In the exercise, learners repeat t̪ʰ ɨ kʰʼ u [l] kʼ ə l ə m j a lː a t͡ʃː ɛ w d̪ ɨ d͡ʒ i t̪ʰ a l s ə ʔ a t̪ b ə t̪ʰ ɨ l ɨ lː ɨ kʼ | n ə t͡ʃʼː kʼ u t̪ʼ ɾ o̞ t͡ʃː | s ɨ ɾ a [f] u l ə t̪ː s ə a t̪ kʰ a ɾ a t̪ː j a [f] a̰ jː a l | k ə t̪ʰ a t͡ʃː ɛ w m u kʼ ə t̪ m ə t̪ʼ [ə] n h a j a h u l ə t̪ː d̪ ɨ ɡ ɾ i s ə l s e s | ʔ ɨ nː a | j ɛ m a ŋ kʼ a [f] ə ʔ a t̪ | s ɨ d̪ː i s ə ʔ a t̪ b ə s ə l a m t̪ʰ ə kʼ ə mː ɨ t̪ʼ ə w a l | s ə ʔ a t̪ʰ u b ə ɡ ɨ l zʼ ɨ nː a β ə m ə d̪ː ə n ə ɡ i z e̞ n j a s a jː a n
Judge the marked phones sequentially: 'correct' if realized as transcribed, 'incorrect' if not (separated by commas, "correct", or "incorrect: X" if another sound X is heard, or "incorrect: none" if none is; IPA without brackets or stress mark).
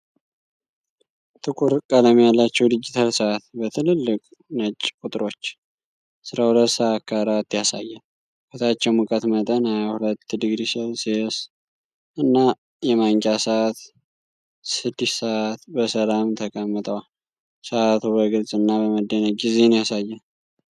incorrect: ɾ, incorrect: h, incorrect: s, correct, incorrect: s